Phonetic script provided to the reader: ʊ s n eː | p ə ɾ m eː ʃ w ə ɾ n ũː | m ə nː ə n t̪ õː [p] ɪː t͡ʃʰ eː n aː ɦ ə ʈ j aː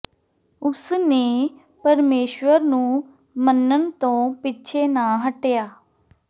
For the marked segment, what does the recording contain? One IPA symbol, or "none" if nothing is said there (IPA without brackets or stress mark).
p